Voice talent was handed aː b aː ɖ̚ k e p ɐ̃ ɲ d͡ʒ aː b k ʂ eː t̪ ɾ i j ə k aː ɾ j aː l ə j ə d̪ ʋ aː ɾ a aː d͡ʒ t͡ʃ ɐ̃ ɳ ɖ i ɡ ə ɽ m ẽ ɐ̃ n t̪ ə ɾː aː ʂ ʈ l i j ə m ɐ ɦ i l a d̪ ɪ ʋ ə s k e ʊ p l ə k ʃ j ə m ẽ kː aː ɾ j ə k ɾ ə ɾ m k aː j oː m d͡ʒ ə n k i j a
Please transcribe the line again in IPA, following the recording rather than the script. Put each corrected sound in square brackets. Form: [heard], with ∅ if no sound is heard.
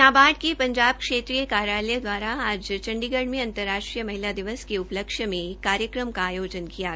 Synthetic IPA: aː b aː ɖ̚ k e p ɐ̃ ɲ d͡ʒ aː b k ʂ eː t̪ ɾ i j ə k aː ɾ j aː l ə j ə d̪ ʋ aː ɾ a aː d͡ʒ t͡ʃ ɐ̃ ɳ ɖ i ɡ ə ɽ m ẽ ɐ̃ n t̪ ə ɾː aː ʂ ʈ [ɾ] i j ə m ɐ ɦ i l a d̪ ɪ ʋ ə s k e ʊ p l ə k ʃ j ə m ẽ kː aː ɾ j ə k ɾ ə [∅] m k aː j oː [∅] d͡ʒ ə n k i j a